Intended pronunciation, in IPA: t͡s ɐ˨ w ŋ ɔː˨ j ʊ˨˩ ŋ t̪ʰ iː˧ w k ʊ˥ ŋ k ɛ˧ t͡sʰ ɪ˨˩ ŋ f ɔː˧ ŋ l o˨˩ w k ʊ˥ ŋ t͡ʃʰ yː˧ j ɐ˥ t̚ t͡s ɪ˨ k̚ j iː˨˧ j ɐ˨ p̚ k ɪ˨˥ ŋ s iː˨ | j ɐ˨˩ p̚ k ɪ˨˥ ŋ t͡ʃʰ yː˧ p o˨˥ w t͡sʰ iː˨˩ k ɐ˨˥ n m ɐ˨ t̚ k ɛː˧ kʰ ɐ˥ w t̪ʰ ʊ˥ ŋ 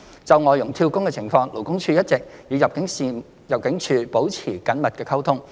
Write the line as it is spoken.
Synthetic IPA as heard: t͡s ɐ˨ w ŋ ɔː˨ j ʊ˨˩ ŋ t̪ʰ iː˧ w k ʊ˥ ŋ k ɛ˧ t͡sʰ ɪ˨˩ ŋ f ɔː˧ ŋ l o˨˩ w k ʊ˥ ŋ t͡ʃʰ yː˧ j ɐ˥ t̚ t͡s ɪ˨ k̚ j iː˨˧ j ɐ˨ p̚ k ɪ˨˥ ŋ s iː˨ | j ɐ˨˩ p̚ k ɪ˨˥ ŋ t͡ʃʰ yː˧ p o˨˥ w t͡sʰ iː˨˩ k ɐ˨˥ n m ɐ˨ t̚ k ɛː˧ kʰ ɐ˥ w t̪ʰ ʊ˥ ŋ